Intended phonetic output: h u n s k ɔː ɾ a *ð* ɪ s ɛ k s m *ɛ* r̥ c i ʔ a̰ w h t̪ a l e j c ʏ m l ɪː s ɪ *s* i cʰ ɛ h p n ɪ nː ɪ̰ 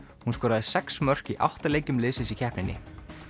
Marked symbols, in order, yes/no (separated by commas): yes, no, yes